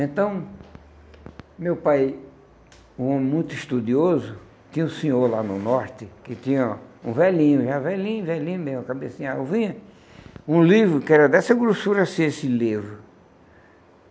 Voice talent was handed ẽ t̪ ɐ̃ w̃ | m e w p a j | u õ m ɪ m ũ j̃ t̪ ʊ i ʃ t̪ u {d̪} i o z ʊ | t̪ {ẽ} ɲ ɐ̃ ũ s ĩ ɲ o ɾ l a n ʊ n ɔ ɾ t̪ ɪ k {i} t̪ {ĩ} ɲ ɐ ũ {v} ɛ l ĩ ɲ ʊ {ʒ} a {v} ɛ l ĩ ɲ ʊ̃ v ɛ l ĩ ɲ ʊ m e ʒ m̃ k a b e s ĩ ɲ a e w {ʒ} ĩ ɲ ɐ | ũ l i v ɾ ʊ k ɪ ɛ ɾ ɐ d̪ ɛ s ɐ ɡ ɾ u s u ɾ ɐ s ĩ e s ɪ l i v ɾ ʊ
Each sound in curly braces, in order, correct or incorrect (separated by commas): correct, incorrect, incorrect, correct, correct, correct, correct, incorrect